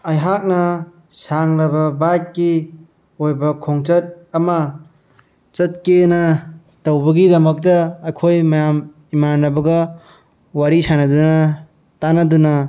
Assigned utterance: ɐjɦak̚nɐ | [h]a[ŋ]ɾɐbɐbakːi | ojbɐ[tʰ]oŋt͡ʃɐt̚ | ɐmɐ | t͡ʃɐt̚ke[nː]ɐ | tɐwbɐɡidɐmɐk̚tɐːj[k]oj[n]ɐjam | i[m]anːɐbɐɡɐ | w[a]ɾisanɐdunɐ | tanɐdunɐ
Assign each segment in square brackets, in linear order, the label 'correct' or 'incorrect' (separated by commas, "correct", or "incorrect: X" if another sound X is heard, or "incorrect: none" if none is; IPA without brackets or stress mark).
incorrect: s, correct, incorrect: kʰ, incorrect: n, incorrect: kʰ, incorrect: m, correct, correct